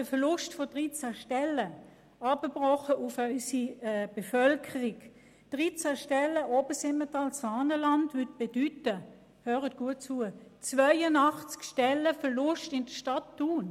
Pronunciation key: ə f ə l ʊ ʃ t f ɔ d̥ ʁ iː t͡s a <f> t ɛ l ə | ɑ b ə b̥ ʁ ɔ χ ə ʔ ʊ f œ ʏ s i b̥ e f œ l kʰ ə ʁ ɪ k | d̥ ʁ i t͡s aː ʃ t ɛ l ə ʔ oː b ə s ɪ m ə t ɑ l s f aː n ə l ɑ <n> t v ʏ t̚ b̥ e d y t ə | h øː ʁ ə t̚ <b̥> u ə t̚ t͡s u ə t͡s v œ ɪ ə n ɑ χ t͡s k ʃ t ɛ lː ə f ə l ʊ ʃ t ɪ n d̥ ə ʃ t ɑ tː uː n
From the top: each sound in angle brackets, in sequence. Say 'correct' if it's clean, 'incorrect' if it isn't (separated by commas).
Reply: incorrect, correct, incorrect